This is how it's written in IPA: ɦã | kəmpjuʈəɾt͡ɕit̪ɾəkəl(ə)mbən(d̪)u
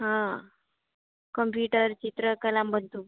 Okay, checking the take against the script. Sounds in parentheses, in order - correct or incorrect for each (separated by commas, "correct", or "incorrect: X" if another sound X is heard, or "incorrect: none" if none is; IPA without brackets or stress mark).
incorrect: a, incorrect: t̪